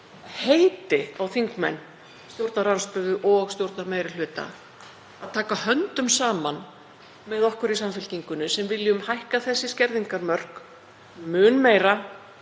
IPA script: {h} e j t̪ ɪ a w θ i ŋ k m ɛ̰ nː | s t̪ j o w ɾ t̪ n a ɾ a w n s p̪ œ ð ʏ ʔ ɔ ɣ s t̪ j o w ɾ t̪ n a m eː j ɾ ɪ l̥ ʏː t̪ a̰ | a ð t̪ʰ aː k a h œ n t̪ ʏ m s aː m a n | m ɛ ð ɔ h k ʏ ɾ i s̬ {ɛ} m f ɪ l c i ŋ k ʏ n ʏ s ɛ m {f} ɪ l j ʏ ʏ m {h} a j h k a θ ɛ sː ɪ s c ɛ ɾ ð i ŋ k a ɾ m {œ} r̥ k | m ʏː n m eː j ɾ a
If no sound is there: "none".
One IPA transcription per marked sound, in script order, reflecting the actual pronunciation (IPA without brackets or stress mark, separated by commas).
h, a, v, h, œ